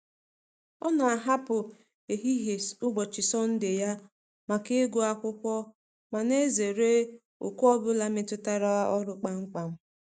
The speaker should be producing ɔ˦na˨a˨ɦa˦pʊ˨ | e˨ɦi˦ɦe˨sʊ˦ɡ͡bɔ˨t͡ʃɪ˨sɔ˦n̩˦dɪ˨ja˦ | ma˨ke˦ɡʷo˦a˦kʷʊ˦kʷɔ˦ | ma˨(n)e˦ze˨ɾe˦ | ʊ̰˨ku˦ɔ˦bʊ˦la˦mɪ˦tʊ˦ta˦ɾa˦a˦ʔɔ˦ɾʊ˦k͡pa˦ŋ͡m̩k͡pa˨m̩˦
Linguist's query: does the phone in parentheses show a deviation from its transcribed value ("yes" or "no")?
no